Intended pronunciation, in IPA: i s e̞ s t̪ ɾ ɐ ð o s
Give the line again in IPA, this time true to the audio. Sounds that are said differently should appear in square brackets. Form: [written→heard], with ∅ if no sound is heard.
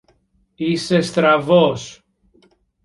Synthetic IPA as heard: i s e̞ s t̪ ɾ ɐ [ð→v] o s

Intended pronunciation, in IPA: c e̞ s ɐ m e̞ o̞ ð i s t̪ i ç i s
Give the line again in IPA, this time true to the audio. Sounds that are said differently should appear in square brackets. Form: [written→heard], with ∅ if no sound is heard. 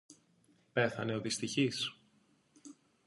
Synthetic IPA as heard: [c→p] e̞ [s→θ] ɐ [m→n] e̞ o̞ ð i s t̪ i ç i s

